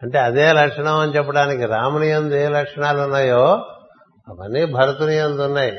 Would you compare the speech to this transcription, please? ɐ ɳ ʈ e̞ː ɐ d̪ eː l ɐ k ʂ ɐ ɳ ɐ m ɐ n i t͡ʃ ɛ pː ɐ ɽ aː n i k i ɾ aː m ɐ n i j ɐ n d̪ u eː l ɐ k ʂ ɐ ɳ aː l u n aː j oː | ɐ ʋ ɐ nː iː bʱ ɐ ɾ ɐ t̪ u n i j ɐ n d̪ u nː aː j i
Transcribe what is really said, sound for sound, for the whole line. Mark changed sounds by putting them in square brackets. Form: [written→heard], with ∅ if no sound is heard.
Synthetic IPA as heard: ɐ ɳ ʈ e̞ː ɐ d̪ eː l ɐ k ʂ ɐ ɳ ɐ m ɐ n i t͡ʃ ɛ pː ɐ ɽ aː n i k i ɾ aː m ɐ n i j ɐ n d̪ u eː l ɐ k ʂ ɐ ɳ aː l u [n→nː] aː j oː | ɐ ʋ ɐ nː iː bʱ ɐ ɾ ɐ t̪ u n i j ɐ n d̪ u nː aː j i